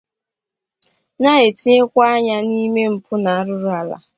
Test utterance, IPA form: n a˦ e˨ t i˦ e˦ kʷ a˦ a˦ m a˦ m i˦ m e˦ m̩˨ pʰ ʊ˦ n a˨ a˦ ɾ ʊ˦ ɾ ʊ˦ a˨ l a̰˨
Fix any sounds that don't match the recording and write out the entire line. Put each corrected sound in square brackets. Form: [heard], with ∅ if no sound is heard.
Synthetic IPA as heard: n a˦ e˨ t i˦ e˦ kʷ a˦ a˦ [ɲ] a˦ [n] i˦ m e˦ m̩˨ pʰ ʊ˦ n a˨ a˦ ɾ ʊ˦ ɾ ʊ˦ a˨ l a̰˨